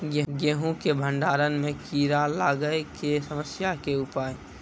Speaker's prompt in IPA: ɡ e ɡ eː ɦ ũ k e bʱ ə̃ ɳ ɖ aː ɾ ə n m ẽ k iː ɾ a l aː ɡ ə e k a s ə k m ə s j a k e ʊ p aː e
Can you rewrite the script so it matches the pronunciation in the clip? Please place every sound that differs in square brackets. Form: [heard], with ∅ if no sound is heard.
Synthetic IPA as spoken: ɡ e ɡ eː ɦ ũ k e bʱ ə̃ ɳ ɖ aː ɾ ə n m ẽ k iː ɾ a l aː ɡ ə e k [e] s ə [∅] m ə s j a k e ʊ p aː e